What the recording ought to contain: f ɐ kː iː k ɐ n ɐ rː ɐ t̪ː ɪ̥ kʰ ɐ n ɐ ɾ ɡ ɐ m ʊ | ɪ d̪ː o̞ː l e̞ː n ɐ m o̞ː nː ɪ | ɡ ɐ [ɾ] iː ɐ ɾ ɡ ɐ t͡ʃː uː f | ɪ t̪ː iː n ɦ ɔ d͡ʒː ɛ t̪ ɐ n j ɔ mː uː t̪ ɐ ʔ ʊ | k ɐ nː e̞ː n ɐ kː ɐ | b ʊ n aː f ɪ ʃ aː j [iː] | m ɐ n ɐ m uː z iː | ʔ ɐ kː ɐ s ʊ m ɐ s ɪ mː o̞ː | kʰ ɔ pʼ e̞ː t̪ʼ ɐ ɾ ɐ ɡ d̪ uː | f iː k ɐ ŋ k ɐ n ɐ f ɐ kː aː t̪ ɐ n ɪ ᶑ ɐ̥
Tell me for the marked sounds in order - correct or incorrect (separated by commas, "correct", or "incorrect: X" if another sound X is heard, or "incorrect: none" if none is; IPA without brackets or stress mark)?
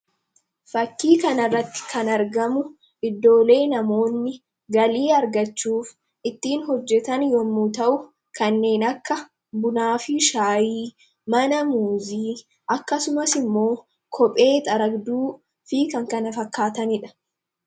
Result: incorrect: l, correct